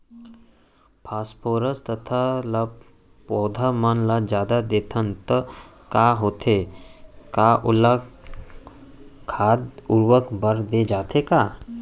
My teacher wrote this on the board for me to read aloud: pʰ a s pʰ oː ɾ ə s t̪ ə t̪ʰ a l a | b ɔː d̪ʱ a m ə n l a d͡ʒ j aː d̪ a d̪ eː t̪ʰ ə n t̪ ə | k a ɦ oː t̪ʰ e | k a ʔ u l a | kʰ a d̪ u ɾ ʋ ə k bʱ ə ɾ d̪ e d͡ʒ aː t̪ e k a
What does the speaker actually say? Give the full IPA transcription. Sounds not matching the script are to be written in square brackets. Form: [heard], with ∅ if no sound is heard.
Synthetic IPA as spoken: pʰ a s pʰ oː ɾ ə s t̪ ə t̪ʰ a l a | [p] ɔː d̪ʱ a m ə n l a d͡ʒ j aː d̪ a d̪ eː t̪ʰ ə n t̪ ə | k a ɦ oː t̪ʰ e | k a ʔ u l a | kʰ a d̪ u ɾ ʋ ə k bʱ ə ɾ d̪ e d͡ʒ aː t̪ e k a

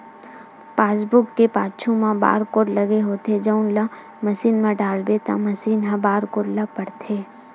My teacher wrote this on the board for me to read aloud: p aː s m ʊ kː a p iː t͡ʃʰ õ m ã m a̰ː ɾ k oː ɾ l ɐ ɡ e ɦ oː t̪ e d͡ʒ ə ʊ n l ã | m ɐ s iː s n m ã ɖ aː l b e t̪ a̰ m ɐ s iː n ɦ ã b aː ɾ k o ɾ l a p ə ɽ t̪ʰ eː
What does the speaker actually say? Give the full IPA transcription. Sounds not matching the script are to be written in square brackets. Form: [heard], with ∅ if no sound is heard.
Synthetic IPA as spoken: p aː s [b] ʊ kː [e] p [aː] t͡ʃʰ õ m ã [b] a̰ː ɾ k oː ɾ l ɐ ɡ e ɦ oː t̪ e d͡ʒ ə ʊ n l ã | m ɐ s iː [∅] n m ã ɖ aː l b e t̪ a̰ m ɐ s iː n ɦ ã b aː ɾ k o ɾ l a p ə ɽ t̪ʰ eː

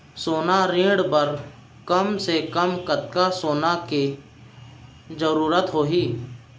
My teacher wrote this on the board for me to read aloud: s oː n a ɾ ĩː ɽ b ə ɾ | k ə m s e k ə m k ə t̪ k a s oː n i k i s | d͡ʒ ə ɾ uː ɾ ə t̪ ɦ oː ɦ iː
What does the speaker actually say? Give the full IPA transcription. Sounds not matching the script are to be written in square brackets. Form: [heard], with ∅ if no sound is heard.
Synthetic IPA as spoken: s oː n a ɾ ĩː ɽ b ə ɾ | k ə m s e k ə m k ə t̪ k a s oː n [a] k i [∅] | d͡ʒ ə ɾ uː ɾ ə t̪ ɦ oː ɦ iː

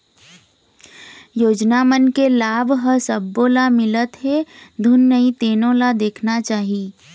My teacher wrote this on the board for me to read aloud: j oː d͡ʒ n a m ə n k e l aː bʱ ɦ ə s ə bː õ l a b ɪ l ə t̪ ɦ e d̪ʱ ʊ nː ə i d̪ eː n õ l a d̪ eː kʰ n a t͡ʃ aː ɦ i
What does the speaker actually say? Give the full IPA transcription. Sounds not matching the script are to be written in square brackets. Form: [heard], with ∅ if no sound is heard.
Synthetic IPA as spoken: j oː d͡ʒ n a m ə n k e l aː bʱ ɦ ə s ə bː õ l a [m] ɪ l ə t̪ ɦ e d̪ʱ ʊ nː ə i [t̪] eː n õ l a d̪ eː kʰ n a t͡ʃ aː ɦ i

